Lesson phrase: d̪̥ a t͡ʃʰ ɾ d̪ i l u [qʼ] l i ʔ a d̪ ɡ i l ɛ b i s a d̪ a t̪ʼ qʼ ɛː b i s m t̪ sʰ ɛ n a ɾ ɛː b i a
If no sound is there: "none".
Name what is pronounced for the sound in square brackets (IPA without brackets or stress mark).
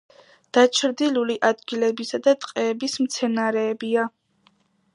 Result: none